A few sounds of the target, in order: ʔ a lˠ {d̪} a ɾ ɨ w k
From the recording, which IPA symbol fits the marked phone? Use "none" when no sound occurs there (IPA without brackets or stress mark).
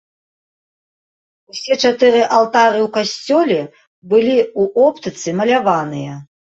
t̪